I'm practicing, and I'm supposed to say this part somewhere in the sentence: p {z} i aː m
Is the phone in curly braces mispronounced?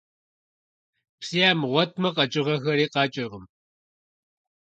yes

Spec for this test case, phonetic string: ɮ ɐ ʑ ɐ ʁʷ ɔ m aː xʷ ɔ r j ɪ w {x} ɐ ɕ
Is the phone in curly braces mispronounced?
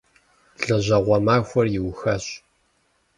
no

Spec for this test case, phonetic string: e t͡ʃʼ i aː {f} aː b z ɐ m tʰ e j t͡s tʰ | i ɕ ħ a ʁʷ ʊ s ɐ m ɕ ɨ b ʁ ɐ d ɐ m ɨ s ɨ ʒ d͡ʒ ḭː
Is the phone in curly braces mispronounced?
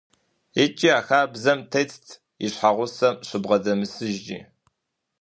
yes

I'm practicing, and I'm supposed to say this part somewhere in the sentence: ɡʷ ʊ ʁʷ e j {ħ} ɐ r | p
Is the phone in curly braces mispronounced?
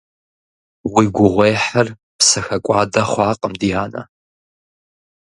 no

